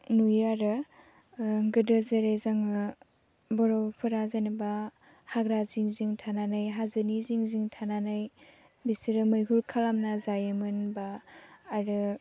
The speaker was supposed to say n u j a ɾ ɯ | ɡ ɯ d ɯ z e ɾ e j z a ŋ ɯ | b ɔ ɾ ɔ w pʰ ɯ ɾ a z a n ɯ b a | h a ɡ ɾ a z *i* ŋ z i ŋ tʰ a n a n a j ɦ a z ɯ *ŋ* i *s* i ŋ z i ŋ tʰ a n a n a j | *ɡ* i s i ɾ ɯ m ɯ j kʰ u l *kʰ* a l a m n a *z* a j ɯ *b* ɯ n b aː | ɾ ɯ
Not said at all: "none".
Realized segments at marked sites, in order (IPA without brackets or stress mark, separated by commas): i, n, z, b, kʰ, z, m